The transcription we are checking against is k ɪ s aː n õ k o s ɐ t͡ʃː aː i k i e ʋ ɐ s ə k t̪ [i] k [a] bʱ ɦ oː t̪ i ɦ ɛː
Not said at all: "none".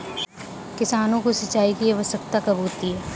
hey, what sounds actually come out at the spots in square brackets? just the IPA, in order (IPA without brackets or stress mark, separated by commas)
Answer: a, ɐ